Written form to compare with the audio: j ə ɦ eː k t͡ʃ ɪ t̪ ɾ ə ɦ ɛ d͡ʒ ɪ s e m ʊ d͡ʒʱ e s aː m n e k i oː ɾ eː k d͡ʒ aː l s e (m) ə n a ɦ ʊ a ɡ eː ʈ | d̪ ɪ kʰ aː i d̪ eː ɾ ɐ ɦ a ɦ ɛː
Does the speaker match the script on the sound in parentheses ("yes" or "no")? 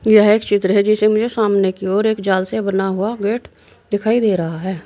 no